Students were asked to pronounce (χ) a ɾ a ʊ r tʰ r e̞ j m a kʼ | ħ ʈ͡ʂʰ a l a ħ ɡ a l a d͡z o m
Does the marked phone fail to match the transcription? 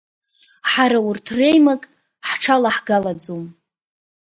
yes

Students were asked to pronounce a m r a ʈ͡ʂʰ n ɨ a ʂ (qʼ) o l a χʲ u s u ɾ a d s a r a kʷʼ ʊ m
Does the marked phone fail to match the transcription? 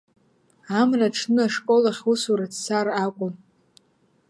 yes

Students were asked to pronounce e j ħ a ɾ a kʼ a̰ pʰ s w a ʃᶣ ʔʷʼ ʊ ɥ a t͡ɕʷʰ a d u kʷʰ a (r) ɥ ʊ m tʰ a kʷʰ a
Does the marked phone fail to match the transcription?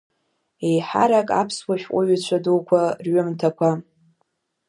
no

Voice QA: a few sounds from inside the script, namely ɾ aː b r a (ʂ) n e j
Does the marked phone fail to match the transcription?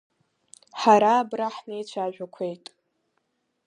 yes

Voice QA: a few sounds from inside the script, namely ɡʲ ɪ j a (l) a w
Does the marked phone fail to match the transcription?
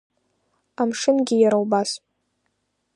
yes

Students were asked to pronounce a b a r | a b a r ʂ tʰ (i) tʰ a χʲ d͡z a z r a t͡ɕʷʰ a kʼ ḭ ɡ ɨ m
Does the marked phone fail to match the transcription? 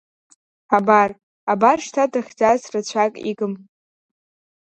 yes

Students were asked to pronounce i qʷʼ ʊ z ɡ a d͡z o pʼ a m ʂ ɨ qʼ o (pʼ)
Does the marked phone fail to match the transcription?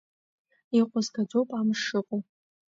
yes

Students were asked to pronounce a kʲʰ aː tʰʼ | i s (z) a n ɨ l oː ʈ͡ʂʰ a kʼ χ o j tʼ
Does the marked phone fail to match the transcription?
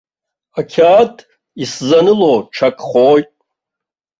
no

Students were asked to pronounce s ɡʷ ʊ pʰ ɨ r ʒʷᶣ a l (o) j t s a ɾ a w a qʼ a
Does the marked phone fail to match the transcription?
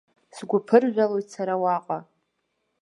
no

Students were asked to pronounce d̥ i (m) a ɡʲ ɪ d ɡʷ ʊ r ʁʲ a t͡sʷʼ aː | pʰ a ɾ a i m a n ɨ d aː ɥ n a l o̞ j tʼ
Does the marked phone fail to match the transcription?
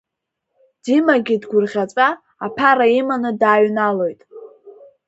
no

